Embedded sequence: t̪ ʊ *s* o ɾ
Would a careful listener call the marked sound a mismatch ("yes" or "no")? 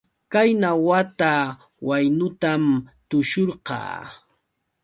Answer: yes